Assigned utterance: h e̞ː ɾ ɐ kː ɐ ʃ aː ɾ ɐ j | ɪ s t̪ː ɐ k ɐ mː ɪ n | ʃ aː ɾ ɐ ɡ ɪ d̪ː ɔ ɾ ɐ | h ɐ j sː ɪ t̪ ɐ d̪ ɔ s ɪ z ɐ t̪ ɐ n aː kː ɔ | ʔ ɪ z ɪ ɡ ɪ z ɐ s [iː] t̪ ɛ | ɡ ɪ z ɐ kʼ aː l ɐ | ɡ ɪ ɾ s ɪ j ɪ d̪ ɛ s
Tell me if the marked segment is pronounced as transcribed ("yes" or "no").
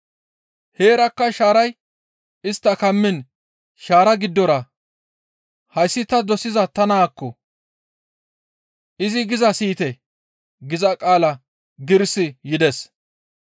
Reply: yes